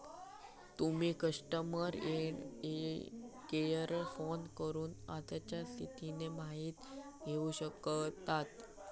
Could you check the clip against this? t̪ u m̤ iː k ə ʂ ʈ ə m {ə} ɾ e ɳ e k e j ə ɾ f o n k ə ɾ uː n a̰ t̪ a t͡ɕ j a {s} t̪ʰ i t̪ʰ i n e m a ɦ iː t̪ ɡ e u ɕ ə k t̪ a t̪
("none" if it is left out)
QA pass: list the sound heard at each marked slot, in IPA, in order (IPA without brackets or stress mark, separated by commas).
ə, s